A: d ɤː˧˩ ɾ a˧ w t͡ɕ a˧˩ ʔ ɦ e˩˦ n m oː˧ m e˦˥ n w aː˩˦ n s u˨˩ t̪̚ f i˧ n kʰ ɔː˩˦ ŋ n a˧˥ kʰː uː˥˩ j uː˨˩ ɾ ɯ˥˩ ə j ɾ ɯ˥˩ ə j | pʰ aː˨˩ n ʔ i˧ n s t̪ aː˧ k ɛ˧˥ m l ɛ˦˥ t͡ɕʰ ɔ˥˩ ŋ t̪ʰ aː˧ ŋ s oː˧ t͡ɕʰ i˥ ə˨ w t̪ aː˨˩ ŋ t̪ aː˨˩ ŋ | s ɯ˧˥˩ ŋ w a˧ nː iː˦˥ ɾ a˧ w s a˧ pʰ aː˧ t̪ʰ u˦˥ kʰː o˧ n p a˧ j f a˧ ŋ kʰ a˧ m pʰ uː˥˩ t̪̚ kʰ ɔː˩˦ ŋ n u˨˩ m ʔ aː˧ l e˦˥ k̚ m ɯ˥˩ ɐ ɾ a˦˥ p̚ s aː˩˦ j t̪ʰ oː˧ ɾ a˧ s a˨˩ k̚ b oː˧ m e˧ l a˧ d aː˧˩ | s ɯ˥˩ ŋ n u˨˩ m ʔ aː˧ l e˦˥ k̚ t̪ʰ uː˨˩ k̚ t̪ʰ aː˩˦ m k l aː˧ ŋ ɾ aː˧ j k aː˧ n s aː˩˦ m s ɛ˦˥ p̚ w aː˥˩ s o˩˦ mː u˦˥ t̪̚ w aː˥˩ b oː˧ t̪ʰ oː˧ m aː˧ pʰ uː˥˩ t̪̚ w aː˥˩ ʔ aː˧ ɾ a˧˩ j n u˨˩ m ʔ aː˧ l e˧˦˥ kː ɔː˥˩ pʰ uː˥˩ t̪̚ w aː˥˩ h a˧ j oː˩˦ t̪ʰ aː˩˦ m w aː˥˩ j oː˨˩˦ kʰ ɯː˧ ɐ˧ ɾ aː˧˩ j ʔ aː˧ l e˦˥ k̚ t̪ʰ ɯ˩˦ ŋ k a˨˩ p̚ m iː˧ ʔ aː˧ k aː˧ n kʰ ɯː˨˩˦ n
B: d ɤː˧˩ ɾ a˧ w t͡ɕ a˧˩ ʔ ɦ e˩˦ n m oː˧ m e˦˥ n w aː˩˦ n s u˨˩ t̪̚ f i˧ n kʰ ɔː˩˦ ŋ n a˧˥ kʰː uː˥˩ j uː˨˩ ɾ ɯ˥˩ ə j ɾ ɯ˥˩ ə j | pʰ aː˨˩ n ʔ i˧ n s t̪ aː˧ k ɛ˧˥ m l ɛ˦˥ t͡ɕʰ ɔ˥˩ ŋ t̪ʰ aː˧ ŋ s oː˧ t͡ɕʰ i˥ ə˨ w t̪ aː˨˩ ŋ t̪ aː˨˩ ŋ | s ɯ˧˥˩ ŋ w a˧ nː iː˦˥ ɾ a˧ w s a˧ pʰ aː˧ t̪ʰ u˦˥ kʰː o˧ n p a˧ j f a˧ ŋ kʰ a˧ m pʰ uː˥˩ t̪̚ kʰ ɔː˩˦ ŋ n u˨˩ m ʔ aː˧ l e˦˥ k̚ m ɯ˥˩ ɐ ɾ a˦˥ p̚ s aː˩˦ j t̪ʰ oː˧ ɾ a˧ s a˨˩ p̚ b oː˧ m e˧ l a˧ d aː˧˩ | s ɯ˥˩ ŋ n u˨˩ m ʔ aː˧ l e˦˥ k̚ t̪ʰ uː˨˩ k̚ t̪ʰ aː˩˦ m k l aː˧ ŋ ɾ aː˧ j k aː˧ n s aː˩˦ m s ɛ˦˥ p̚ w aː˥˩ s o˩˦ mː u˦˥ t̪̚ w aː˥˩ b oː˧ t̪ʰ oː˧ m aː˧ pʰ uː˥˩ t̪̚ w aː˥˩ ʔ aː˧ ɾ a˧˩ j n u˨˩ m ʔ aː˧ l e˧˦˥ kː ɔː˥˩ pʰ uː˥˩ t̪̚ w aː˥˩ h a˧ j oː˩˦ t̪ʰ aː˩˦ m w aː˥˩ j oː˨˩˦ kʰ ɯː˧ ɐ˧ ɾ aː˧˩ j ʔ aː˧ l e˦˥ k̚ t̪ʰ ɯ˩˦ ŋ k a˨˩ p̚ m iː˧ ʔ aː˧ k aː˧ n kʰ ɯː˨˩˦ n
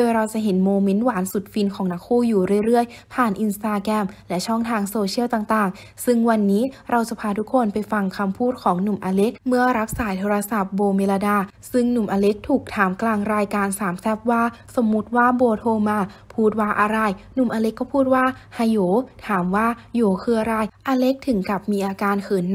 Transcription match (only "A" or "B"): B